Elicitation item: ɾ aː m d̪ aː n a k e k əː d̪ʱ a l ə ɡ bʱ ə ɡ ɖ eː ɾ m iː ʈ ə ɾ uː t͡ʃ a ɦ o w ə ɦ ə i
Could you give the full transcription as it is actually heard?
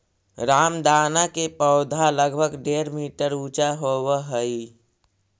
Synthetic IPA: ɾ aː m d̪ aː n a k e p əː d̪ʱ a l ə ɡ bʱ ə ɡ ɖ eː ɾ m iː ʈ ə ɾ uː t͡ʃ a ɦ o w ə ɦ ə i